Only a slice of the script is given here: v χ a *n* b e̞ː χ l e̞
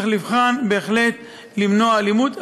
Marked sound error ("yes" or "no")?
no